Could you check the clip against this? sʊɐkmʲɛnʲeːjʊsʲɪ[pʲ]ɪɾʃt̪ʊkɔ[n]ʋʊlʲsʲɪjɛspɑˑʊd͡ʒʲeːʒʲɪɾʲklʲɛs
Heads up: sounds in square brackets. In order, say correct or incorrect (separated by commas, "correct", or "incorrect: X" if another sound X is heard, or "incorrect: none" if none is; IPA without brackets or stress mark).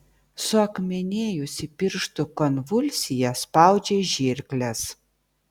correct, correct